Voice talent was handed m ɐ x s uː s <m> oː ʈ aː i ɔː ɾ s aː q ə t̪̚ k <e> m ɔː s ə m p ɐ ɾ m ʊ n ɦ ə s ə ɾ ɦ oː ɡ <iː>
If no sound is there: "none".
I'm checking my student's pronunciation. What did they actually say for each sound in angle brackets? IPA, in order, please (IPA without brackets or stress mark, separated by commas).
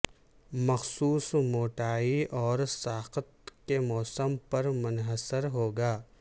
m, e, aː